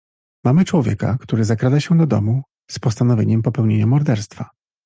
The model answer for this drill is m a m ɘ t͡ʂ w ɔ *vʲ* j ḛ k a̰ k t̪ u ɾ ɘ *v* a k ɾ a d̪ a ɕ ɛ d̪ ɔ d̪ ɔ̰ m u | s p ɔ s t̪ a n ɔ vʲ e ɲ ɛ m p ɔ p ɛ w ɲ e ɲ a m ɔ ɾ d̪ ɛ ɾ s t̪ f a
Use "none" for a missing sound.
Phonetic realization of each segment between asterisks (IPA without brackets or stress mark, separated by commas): vʲ, z